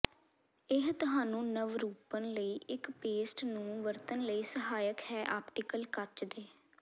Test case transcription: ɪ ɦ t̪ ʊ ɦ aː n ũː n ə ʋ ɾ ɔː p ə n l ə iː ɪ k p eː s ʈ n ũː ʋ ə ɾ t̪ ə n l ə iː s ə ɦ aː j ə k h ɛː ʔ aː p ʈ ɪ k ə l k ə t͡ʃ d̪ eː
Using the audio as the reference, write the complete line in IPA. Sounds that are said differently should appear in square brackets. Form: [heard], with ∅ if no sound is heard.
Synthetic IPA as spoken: ɪ ɦ t̪ ʊ ɦ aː n ũː n ə ʋ ɾ [uː] p ə n l ə iː ɪ k p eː s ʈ n ũː ʋ ə ɾ t̪ ə n l ə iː s ə ɦ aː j ə k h ɛː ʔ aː p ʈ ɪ k ə l k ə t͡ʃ d̪ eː